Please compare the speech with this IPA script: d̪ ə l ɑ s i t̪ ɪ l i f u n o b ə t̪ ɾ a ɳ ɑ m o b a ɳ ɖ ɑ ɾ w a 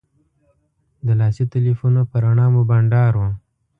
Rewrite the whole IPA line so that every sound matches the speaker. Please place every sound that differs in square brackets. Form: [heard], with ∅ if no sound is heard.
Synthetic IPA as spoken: d̪ ə l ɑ s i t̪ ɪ l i f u n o [p] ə [∅] ɾ a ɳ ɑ m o b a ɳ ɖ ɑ ɾ w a